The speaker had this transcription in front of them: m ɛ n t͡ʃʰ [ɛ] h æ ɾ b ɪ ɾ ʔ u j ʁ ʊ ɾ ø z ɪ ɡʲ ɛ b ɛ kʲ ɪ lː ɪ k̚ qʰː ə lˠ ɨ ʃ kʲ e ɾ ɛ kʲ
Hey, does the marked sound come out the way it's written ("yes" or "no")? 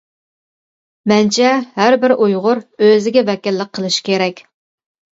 yes